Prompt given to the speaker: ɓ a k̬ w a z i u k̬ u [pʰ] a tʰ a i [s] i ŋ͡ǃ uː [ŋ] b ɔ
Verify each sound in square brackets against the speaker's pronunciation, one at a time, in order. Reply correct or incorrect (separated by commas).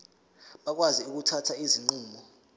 incorrect, incorrect, incorrect